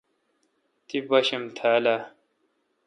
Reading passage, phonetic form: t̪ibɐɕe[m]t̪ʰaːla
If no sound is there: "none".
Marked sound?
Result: m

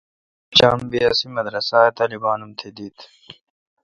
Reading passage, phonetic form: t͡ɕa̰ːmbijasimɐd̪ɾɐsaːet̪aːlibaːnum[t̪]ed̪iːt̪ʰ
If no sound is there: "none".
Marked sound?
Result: t̪ʰ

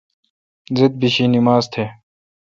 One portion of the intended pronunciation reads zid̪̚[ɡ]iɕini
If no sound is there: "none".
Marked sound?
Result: b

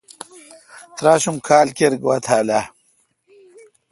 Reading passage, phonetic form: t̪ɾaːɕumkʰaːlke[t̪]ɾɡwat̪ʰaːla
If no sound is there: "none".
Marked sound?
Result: none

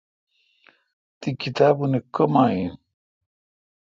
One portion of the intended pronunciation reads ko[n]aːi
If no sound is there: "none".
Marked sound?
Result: m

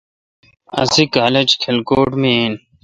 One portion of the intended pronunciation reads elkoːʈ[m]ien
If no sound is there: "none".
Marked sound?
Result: m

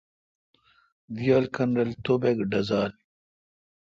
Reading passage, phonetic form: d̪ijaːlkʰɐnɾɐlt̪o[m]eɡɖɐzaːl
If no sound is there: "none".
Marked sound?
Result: b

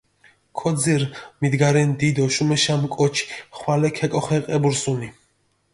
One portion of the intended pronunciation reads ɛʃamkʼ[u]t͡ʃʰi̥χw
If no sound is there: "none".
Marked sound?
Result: ɔ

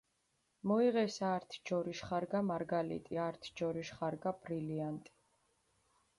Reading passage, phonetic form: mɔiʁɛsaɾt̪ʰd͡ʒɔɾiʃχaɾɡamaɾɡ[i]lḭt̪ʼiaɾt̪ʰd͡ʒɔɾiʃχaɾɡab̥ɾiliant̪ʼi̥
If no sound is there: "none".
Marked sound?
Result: a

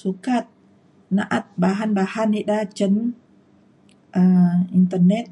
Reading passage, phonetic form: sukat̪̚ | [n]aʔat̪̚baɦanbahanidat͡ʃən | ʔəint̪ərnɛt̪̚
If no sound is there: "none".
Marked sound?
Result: n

